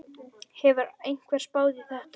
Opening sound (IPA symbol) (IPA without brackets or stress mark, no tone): h